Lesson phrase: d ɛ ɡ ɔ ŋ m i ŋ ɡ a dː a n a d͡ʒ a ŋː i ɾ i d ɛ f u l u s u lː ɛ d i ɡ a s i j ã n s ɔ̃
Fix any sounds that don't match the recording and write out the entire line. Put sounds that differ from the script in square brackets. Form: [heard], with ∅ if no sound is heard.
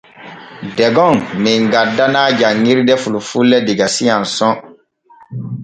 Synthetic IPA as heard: d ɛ ɡ ɔ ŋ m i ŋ ɡ a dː a n a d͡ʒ a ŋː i ɾ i d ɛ f u l u [f] u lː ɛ d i ɡ a s i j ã n s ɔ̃